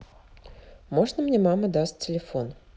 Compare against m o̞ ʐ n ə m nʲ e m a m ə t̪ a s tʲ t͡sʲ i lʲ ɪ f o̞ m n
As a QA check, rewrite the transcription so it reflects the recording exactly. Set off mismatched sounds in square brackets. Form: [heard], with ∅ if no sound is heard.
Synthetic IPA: m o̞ ʐ n ə m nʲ e m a m ə [d̪] a s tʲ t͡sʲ [ɪ] lʲ ɪ f o̞ [∅] n